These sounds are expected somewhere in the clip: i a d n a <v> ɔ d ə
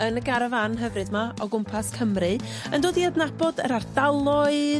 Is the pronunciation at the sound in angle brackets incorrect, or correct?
incorrect